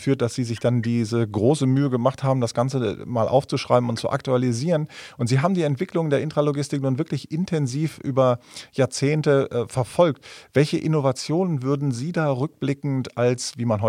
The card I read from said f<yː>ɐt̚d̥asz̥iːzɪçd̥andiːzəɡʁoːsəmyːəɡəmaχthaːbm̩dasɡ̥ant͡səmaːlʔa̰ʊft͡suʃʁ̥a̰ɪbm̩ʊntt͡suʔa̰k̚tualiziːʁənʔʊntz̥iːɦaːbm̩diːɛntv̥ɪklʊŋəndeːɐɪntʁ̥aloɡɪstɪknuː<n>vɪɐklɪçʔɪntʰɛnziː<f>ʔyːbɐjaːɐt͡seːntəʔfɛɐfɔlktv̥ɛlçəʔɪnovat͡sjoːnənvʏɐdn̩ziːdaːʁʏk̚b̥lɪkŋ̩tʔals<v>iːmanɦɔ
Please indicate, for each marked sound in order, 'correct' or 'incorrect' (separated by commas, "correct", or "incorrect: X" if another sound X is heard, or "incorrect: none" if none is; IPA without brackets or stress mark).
correct, correct, correct, correct